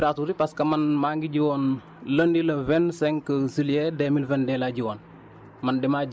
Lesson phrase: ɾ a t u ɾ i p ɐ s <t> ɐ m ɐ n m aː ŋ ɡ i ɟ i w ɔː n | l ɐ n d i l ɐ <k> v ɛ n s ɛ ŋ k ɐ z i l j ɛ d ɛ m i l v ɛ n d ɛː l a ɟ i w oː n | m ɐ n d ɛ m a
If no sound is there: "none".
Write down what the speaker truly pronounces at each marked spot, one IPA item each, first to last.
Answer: k, none

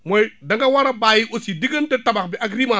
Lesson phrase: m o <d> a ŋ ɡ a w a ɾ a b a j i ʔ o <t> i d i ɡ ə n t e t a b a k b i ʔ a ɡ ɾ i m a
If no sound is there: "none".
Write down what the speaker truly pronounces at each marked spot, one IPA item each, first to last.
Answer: d, s

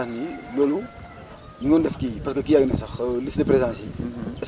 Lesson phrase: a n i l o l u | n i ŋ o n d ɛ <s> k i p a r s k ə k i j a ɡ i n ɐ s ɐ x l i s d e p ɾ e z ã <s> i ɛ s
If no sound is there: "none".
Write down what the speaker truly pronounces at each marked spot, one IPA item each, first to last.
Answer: f, s

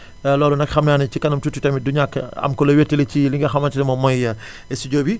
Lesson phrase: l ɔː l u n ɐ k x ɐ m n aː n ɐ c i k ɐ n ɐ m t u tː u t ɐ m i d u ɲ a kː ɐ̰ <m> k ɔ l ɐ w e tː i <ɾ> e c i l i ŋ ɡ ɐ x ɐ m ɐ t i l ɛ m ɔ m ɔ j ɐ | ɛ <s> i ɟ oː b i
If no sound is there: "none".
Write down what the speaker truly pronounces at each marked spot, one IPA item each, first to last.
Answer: m, l, s

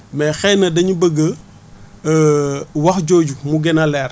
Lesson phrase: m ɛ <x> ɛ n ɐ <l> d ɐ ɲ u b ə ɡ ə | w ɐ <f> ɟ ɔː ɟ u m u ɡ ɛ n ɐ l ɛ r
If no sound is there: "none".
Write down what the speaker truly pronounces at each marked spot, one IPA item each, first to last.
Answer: x, none, x

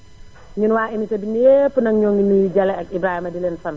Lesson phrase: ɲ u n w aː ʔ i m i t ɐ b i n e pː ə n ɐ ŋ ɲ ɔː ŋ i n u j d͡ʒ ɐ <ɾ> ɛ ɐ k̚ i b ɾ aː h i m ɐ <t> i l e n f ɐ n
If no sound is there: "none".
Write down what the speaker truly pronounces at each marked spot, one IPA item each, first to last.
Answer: l, d

